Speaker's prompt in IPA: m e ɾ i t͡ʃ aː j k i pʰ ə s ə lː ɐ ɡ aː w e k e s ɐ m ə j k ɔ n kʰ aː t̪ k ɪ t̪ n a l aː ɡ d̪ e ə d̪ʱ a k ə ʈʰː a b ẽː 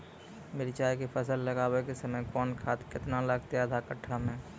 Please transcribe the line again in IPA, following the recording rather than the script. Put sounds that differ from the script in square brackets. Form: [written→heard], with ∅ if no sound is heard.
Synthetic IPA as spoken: m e ɾ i t͡ʃ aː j k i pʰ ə s ə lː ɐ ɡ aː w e k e s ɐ m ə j k [ɔ→ɔː] n kʰ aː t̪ k ɪ t̪ n a l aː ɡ [d̪→t̪] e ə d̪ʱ a k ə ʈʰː a [b→m] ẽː